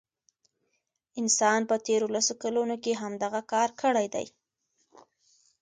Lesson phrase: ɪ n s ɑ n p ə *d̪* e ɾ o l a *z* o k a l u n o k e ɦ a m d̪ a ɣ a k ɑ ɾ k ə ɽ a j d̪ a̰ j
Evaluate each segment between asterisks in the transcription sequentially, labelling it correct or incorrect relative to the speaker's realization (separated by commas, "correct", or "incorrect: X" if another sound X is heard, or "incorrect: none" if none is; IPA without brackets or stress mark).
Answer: incorrect: t̪, incorrect: s